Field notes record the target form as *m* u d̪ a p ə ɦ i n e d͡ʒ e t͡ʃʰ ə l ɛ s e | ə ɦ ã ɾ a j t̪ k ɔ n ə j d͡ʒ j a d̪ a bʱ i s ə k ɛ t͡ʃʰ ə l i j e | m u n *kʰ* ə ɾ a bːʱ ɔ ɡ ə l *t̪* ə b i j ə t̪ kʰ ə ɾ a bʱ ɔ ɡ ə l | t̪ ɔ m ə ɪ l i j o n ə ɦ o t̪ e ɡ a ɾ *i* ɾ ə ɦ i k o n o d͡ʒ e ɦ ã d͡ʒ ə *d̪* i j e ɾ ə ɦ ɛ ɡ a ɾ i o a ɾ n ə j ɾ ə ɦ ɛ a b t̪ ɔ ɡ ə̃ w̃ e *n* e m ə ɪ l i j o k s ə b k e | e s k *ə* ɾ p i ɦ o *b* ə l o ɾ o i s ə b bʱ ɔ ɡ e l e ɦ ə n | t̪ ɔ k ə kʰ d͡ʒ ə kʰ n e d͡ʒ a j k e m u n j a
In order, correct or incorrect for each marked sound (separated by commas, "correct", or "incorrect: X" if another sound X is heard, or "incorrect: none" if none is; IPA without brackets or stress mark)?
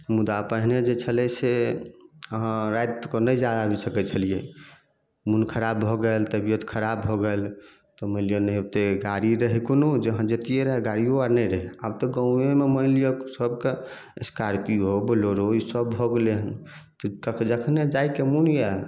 correct, correct, correct, correct, incorrect: t̪, incorrect: m, incorrect: a, correct